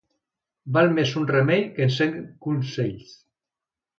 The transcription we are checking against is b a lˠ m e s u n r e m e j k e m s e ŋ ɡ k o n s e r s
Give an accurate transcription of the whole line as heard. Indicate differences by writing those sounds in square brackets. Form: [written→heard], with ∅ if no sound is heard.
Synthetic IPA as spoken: b a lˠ m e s u n r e m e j k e [m→n] s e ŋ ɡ k [o→u] n s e [r→ʎ] s